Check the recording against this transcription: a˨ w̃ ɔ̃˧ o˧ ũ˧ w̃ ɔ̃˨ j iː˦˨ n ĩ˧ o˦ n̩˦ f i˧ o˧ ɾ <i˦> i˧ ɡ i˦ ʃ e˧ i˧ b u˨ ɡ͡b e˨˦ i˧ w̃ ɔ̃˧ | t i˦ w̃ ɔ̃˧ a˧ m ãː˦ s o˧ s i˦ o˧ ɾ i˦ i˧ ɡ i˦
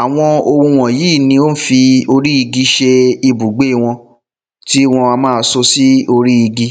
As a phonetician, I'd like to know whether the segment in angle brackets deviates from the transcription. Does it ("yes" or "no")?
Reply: no